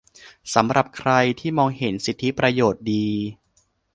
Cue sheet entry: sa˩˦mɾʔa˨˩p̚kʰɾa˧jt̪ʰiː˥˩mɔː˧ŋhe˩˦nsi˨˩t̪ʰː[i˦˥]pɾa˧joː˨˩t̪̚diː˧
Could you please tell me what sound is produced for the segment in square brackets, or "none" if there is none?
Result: i˦˥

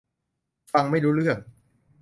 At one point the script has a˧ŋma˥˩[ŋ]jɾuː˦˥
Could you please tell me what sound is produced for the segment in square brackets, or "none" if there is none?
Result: none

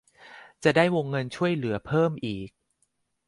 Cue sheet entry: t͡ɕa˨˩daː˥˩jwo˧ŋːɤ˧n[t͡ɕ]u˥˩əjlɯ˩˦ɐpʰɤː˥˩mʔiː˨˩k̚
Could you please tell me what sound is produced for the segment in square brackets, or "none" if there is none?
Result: t͡ɕʰ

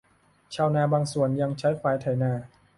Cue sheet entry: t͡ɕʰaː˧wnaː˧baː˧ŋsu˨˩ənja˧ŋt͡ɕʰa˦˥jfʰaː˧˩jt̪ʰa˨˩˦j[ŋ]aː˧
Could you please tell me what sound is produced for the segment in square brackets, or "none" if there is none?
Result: n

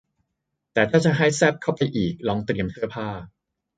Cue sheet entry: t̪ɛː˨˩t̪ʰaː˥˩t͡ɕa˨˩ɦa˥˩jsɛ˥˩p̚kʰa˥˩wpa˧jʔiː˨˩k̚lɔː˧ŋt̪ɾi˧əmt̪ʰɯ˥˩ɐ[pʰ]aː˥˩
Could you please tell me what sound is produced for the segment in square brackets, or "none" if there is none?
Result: pʰ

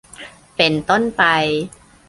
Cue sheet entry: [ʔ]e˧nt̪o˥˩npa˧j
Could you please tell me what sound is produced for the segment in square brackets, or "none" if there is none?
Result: p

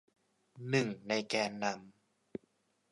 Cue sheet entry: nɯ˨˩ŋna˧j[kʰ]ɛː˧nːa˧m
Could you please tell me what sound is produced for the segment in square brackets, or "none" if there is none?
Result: k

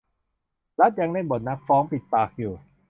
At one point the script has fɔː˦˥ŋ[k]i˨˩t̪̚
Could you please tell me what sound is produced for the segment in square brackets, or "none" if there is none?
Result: p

